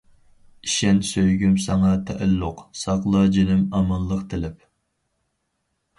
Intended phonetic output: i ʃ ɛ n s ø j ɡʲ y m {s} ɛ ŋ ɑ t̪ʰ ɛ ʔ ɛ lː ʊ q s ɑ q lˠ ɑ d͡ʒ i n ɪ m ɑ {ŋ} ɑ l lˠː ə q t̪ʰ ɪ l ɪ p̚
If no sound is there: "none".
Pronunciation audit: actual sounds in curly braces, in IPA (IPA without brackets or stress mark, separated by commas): s, m